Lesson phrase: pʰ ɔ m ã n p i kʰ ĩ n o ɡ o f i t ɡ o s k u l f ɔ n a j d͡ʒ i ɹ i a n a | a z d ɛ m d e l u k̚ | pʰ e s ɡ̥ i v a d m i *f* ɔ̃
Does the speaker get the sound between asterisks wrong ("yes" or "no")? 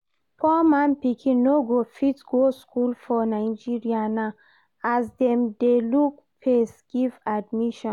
yes